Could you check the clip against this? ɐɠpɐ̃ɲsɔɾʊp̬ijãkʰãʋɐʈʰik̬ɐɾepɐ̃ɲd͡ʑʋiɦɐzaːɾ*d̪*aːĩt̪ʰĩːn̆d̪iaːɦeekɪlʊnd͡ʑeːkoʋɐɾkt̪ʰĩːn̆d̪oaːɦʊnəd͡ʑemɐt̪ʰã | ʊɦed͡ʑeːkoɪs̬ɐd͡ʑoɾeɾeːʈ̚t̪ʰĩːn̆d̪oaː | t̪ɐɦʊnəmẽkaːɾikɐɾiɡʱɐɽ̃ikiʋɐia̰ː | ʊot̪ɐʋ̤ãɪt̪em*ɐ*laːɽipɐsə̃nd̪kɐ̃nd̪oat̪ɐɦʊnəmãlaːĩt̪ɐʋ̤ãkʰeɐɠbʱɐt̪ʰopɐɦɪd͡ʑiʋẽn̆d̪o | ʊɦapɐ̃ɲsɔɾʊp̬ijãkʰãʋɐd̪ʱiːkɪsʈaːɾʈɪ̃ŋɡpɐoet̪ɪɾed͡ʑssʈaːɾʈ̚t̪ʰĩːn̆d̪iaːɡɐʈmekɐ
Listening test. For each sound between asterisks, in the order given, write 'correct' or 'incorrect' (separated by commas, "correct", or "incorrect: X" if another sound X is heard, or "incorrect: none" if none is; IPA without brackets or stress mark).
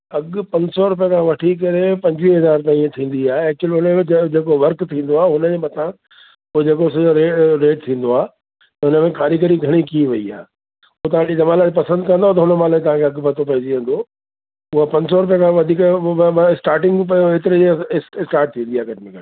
incorrect: t̪, incorrect: a